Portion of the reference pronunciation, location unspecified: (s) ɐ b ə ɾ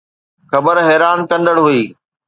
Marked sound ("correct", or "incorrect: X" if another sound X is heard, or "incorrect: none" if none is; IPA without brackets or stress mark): incorrect: x